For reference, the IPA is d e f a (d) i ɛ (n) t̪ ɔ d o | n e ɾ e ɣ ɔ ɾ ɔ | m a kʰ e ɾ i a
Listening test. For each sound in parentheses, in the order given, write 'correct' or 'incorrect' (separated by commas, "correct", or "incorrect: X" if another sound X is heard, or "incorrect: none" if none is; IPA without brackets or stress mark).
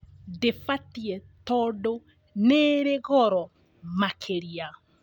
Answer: incorrect: t, incorrect: none